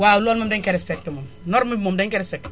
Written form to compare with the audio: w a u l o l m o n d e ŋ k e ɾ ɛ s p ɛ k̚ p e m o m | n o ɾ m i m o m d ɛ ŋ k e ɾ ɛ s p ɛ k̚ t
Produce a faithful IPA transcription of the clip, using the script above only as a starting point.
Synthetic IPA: w a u l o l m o m d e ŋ k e ɾ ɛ s p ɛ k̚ t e m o m | n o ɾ m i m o m d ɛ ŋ k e ɾ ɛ s p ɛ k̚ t

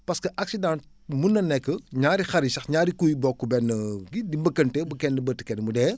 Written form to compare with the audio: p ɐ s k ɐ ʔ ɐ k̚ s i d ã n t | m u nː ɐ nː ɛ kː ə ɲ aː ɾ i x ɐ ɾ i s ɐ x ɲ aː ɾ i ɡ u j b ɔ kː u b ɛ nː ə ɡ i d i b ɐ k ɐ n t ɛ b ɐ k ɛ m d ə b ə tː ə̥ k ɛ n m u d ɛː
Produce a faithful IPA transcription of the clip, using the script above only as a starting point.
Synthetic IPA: p ɐ s k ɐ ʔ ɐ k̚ s i d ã n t | m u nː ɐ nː ɛ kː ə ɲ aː ɾ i x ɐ ɾ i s ɐ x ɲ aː ɾ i k u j b ɔ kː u b ɛ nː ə ɡ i d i b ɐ k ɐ n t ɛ b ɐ k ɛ n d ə b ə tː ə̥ k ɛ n m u d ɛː

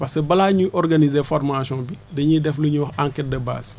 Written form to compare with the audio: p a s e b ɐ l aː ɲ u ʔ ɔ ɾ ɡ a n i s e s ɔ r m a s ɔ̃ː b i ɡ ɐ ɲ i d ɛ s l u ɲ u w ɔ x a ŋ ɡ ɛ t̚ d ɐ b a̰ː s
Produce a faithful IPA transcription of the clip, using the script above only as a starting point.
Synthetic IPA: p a s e b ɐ l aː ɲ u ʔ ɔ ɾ ɡ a n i z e f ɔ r m a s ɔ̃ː b i d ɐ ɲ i d ɛ f l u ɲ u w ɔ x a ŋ k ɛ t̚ d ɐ b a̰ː s

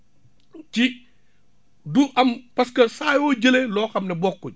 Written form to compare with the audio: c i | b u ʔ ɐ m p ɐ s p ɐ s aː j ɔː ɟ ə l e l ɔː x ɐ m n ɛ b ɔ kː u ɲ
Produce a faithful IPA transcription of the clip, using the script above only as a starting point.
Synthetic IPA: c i | d u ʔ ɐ m p ɐ s k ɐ s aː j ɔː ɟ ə l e l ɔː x ɐ m n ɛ b ɔ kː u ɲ

